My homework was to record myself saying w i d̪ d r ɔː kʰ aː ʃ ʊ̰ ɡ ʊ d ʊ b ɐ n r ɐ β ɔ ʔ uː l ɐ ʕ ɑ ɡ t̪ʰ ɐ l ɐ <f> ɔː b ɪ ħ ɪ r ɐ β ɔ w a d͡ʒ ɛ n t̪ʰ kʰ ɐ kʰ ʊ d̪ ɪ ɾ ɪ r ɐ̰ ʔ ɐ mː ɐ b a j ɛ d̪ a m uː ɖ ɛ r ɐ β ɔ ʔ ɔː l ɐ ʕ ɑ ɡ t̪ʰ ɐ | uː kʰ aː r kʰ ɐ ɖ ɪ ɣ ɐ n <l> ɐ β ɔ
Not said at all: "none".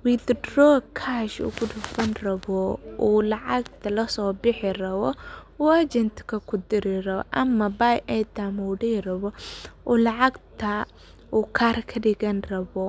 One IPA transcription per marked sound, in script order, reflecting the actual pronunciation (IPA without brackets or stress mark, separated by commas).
s, r